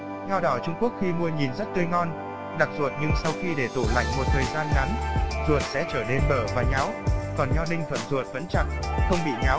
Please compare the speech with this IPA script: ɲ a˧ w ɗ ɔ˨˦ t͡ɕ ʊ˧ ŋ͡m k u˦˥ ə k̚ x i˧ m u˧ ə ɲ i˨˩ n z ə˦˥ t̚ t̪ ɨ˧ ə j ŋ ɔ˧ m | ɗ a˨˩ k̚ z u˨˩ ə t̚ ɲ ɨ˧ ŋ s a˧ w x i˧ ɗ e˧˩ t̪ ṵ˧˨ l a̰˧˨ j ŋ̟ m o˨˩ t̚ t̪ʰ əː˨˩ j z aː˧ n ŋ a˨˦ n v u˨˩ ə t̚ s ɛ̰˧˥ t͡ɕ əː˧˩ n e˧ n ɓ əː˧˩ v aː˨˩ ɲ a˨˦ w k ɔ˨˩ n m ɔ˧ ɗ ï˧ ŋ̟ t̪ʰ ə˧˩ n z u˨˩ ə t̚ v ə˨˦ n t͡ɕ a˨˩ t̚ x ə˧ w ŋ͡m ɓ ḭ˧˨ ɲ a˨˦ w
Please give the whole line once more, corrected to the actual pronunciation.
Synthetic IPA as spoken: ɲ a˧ w ɗ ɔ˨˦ t͡ɕ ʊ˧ ŋ͡m k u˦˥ ə k̚ x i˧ m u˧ ə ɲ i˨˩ n z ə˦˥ t̚ t̪ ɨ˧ ə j ŋ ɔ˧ n | ɗ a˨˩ k̚ z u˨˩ ə t̚ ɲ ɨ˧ ŋ s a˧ w x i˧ ɗ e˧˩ t̪ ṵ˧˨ l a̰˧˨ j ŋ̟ m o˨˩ t̚ t̪ʰ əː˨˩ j z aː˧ n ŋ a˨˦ n z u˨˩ ə t̚ s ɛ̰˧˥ t͡ɕ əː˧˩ n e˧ n ɓ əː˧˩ v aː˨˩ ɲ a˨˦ w k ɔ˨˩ n ɲ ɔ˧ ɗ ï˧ ŋ̟ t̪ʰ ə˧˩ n z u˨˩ ə t̚ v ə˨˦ n t͡ɕ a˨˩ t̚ x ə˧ w ŋ͡m ɓ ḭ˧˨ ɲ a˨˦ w